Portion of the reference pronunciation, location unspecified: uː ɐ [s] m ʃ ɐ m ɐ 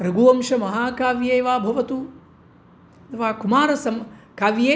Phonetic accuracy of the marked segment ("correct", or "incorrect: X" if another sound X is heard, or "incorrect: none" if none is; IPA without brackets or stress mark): incorrect: none